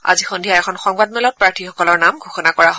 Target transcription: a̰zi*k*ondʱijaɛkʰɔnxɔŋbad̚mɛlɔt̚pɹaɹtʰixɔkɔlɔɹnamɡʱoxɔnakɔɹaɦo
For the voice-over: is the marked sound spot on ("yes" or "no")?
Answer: no